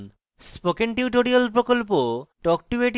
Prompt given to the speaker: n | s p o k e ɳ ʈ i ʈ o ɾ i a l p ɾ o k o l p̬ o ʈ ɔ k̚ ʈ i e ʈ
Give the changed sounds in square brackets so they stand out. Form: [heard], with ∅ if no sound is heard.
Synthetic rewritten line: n | s p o k e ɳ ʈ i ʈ o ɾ i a l p ɾ o k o l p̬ o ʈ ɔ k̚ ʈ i e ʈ